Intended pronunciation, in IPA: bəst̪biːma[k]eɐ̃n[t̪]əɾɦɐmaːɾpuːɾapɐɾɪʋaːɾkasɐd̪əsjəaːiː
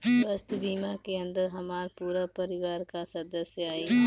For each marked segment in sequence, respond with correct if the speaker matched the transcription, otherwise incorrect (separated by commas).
correct, incorrect